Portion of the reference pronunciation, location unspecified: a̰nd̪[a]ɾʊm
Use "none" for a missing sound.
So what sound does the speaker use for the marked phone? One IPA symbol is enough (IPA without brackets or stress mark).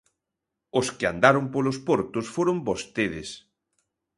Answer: a